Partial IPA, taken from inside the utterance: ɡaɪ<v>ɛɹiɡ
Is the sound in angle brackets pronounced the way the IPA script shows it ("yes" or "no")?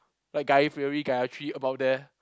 no